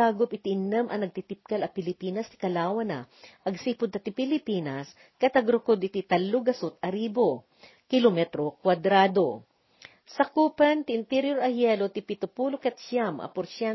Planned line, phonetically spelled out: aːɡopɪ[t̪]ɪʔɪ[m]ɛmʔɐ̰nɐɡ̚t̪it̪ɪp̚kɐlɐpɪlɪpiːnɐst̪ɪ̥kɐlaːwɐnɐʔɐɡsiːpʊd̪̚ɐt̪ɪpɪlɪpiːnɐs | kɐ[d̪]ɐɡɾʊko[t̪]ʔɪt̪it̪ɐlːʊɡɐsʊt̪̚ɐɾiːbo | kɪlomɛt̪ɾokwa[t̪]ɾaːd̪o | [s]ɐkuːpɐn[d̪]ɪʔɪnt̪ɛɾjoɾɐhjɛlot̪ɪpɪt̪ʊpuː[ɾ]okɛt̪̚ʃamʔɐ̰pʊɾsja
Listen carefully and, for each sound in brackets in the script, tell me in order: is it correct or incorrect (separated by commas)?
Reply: correct, incorrect, incorrect, incorrect, incorrect, correct, incorrect, incorrect